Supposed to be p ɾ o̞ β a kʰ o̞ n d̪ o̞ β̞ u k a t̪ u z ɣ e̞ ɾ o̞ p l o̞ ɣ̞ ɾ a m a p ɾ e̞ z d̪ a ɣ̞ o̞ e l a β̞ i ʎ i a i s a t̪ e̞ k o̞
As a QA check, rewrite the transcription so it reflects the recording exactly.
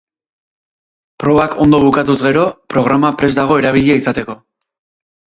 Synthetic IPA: p ɾ o̞ β a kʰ o̞ n d̪ o̞ β̞ u k a t̪ u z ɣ e̞ ɾ o̞ p ɾ o̞ ɣ̞ ɾ a m a p ɾ e̞ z d̪ a ɣ̞ o̞ e ɾ a β̞ i ʎ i a i s a t̪ e̞ k o̞

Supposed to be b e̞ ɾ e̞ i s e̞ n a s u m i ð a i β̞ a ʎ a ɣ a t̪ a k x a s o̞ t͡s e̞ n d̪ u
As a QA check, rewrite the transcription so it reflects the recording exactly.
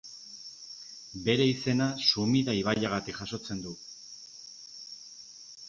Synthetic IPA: b e̞ ɾ e̞ i s e̞ n a s u m i ð a i β̞ a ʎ a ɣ a t̪ i k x a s o̞ t͡s e̞ n d̪ u

